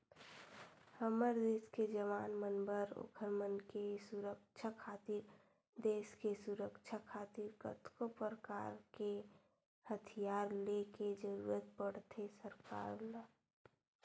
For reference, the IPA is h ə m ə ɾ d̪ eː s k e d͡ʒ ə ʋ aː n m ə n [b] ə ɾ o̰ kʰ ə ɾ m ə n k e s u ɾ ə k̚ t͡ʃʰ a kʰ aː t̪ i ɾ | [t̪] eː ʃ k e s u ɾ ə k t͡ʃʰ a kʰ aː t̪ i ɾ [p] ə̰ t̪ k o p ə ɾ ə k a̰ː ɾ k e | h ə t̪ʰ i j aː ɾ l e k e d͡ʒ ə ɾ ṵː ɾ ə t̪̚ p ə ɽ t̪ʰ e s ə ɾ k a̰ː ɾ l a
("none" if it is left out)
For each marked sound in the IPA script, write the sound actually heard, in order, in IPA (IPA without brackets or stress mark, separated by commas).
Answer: b, d̪, k